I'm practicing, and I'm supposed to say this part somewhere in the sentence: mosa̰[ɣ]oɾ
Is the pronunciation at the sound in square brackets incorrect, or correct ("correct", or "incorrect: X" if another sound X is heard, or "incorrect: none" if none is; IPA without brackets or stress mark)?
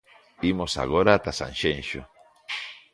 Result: correct